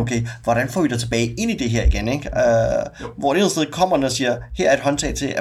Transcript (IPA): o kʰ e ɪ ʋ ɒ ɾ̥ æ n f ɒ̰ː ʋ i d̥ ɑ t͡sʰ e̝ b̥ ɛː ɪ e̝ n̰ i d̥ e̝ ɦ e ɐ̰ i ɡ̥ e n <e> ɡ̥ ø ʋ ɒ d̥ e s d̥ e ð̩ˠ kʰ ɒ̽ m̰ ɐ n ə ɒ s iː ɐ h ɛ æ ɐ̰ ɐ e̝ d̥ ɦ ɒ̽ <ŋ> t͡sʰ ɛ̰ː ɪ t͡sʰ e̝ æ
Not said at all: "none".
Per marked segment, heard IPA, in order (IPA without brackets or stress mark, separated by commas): e, n